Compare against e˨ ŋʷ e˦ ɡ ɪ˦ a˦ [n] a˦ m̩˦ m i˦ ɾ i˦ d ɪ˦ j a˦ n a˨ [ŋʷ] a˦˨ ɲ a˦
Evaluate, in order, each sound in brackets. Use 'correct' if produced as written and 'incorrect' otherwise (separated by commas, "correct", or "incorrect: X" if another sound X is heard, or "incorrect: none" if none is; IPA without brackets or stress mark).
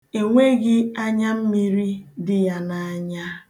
incorrect: ɲ, incorrect: none